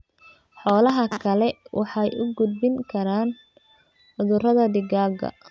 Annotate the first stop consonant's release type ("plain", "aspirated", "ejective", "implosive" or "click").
aspirated